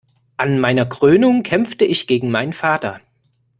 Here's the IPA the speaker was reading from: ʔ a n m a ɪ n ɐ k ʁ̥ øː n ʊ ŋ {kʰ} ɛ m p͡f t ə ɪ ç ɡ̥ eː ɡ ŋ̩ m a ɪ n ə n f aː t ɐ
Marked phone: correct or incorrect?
correct